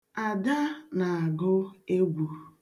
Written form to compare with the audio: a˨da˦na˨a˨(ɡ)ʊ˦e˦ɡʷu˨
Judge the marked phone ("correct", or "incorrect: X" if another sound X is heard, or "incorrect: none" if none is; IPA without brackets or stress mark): correct